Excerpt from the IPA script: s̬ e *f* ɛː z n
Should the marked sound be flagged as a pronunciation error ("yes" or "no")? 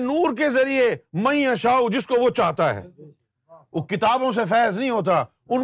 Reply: no